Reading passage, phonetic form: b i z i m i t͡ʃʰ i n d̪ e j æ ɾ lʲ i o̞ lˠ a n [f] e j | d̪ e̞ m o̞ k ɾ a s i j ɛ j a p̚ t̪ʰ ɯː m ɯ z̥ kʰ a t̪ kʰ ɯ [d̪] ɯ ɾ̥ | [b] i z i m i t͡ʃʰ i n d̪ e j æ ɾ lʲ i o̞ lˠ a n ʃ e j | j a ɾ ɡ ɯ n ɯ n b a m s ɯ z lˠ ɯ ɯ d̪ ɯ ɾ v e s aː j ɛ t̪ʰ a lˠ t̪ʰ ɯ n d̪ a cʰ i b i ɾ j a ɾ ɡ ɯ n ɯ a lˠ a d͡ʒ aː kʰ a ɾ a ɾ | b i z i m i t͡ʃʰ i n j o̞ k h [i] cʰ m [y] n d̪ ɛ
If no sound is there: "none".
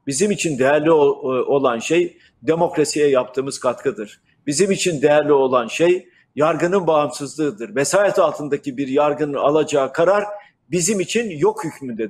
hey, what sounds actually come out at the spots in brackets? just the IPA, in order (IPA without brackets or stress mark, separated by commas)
ʃ, d̪, b, y, y